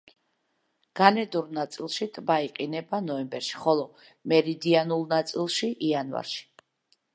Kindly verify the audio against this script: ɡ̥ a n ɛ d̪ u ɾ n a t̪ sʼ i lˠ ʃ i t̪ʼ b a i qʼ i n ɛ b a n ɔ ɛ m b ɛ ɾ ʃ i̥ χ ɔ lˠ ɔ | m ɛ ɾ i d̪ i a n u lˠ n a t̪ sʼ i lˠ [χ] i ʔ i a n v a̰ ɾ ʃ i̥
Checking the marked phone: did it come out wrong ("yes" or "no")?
yes